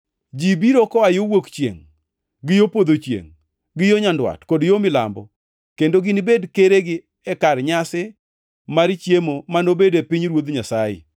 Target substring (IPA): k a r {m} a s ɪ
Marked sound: incorrect: ɲ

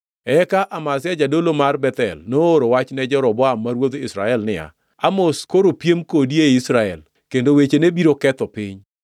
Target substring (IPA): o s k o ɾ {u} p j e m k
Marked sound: incorrect: o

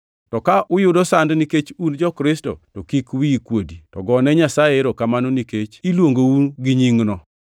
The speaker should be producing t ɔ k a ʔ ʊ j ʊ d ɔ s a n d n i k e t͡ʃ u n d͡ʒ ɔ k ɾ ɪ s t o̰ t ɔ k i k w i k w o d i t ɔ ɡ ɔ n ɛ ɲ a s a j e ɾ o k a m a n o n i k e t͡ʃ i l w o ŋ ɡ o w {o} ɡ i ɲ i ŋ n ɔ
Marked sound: incorrect: u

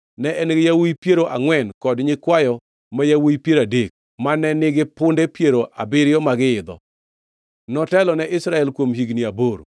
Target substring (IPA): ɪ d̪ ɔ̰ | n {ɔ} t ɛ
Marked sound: correct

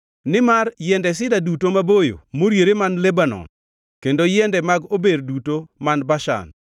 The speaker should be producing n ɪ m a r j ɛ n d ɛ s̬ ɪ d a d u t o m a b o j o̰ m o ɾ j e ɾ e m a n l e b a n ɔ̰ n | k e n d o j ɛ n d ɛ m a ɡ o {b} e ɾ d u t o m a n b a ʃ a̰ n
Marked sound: correct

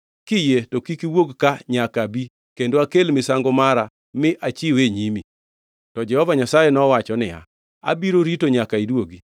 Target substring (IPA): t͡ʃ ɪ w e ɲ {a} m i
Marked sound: incorrect: i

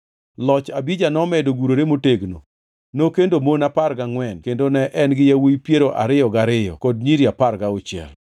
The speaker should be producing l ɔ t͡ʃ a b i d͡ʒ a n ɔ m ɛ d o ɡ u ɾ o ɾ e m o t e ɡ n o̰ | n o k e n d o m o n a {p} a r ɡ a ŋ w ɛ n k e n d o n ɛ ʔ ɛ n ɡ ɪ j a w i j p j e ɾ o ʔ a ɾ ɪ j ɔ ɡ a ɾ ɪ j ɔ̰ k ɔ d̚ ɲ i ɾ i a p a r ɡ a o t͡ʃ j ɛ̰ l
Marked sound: correct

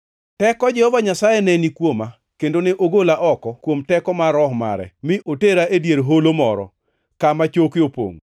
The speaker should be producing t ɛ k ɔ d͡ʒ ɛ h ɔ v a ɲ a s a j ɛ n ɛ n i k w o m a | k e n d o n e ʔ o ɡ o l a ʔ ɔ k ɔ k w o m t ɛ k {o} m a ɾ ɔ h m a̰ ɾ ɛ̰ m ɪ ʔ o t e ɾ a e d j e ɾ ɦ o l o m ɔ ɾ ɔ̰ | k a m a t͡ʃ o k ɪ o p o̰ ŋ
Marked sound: incorrect: ɔ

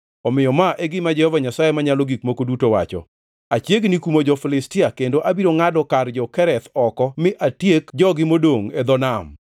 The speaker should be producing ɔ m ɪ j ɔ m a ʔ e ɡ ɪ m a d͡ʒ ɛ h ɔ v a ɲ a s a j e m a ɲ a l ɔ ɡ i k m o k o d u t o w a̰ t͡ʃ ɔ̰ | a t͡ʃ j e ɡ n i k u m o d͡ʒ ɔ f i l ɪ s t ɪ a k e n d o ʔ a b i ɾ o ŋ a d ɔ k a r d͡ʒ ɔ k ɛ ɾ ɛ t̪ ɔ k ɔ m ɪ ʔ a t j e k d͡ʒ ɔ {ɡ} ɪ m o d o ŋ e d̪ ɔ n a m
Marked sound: correct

